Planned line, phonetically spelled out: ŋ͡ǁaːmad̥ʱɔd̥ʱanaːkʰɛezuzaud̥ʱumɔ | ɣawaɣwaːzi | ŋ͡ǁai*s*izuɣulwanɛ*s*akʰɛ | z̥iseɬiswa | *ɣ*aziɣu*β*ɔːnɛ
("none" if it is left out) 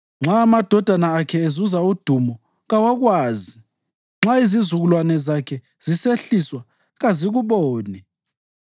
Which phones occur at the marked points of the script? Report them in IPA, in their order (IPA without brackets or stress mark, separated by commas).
z, z, ɣ, β